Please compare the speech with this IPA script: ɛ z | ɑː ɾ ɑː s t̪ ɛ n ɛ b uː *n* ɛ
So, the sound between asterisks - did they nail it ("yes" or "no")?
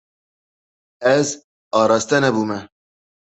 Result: no